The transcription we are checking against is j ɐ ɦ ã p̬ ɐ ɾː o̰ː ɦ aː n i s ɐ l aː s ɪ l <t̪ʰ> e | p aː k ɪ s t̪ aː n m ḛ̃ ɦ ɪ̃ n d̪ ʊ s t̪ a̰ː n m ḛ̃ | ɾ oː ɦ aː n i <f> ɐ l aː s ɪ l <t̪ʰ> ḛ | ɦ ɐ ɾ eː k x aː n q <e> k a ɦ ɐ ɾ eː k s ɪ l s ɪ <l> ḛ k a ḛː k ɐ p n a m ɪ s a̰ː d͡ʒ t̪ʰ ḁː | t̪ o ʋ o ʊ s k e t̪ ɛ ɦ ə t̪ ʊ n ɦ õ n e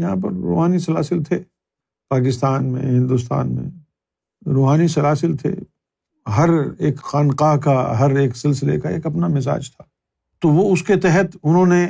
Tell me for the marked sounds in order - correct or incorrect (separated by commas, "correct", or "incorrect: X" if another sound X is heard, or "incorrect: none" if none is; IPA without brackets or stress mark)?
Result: correct, incorrect: s, correct, incorrect: a, correct